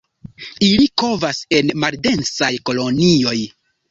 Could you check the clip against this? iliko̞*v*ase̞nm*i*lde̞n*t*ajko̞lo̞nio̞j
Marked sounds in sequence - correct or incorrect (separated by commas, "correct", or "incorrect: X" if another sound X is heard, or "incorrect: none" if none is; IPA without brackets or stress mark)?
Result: correct, incorrect: a, incorrect: s